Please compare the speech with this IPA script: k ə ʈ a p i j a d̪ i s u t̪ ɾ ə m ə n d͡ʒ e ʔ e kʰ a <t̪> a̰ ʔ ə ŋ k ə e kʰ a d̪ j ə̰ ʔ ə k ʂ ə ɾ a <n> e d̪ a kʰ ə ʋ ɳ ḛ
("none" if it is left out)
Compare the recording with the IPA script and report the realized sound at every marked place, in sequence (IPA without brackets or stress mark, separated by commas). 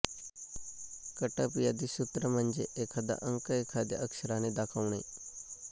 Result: d̪, n